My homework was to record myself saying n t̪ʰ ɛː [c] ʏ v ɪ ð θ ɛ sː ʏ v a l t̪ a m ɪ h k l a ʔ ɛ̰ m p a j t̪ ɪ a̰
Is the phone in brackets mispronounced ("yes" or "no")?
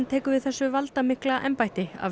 yes